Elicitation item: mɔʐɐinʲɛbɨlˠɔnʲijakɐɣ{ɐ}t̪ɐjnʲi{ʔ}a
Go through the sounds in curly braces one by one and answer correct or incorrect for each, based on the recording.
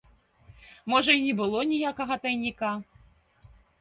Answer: correct, incorrect

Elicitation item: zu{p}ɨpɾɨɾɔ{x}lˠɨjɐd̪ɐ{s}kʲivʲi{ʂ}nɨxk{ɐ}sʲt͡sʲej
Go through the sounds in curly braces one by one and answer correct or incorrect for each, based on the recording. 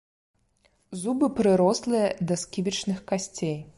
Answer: incorrect, incorrect, correct, incorrect, incorrect

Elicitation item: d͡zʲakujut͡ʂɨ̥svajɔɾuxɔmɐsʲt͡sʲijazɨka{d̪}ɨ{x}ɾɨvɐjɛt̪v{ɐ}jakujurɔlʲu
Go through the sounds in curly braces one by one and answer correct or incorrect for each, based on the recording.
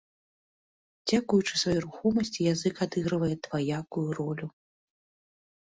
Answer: correct, incorrect, incorrect

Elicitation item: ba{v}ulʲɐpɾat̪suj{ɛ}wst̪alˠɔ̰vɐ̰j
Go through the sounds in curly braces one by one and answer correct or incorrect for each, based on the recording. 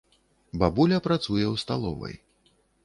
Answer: incorrect, correct

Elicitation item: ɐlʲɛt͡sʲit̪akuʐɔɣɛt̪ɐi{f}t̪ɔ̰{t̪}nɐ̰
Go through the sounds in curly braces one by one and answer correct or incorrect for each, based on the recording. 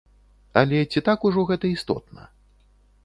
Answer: incorrect, correct

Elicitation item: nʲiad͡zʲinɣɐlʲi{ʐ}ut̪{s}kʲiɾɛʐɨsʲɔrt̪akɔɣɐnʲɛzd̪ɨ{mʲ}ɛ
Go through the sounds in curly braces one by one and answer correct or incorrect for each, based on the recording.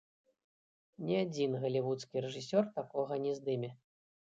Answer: incorrect, correct, correct

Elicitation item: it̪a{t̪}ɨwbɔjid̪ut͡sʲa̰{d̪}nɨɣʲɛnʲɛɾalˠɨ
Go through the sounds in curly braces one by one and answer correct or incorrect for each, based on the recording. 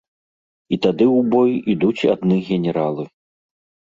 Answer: incorrect, correct

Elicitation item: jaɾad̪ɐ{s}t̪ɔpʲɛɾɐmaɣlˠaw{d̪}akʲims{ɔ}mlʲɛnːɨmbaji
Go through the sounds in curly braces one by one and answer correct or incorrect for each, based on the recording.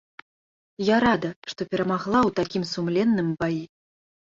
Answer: incorrect, incorrect, incorrect

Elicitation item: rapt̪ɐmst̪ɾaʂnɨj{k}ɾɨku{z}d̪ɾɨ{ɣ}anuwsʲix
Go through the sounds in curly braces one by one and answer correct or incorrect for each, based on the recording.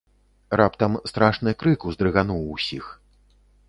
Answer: correct, correct, correct

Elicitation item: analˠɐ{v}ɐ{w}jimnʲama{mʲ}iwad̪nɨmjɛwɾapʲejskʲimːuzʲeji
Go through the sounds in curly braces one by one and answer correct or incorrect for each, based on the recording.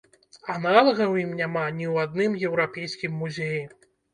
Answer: incorrect, correct, incorrect

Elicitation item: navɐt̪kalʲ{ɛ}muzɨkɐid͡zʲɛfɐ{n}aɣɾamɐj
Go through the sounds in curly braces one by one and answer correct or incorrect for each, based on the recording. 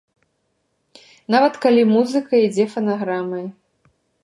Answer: incorrect, correct

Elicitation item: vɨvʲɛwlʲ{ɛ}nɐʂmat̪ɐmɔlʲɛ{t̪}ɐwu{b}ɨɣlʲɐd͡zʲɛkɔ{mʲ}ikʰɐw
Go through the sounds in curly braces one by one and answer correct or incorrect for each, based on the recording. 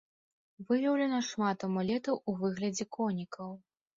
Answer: correct, correct, incorrect, incorrect

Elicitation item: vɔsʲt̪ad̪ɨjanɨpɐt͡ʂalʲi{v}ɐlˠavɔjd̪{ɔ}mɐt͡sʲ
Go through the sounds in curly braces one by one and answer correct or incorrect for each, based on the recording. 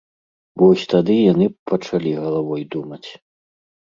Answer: incorrect, incorrect

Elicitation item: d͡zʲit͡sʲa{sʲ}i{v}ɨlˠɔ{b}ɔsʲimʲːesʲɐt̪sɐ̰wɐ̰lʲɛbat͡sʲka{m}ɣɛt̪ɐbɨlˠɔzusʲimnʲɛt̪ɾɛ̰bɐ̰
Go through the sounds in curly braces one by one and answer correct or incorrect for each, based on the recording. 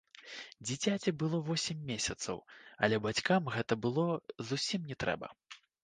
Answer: incorrect, incorrect, incorrect, correct

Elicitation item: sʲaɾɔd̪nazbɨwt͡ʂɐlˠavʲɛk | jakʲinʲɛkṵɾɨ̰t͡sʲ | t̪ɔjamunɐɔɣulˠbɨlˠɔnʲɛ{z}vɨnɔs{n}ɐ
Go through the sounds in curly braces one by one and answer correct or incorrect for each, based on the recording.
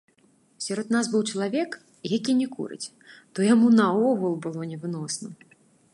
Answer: incorrect, correct

